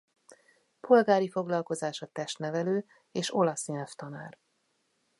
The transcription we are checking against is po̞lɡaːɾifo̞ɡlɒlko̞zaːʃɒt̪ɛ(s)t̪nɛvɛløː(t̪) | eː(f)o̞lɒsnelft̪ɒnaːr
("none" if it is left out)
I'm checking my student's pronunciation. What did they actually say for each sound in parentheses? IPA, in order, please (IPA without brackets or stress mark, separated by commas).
ʃ, none, ʃ